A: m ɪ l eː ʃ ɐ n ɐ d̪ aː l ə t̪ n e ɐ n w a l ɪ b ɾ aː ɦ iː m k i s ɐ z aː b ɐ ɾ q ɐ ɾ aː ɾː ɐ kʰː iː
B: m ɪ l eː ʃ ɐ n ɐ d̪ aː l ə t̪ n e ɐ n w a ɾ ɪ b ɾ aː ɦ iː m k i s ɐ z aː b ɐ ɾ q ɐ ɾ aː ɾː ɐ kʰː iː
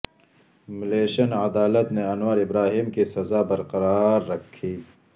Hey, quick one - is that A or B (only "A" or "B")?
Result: B